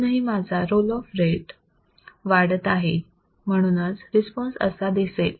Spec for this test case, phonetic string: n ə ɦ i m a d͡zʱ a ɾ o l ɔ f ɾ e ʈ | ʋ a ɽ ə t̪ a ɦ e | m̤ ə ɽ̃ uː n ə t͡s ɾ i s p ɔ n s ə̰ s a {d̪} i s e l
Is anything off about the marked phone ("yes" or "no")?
no